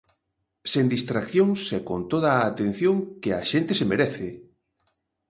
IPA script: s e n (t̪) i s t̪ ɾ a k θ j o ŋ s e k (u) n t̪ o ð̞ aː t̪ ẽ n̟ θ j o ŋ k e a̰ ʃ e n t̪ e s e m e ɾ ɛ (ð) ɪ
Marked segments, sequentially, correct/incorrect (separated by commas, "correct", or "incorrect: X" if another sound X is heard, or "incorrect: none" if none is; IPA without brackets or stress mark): incorrect: d̪, incorrect: o, incorrect: θ